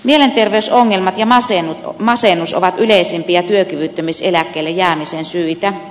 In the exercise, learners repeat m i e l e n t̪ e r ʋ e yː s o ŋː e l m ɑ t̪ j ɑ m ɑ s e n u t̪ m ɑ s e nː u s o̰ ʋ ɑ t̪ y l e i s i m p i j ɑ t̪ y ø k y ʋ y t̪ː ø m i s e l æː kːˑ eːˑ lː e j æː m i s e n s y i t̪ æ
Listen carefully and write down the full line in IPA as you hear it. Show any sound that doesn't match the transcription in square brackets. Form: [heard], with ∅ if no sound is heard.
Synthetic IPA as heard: m i e l e n t̪ e r ʋ e [y] s o ŋː e l m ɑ t̪ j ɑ m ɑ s e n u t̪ m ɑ s e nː u s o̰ ʋ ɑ t̪ y l e i s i m p i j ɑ t̪ y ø k y ʋ y t̪ː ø m i s e l [æ] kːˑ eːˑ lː e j æː m i s e n s y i t̪ æ